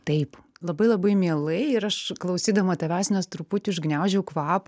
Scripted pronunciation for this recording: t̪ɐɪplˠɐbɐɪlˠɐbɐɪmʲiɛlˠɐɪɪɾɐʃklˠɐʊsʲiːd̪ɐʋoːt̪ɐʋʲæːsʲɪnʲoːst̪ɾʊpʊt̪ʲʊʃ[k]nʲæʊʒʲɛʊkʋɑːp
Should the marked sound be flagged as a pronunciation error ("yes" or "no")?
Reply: yes